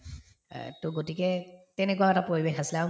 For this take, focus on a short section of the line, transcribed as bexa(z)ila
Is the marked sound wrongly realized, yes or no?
yes